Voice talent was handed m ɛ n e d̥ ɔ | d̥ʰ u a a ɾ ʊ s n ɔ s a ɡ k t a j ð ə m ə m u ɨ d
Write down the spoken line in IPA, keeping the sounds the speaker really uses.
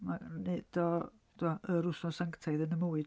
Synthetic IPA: m a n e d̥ ɔ | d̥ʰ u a ə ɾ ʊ s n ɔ s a ŋ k tʰ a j ð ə n ə m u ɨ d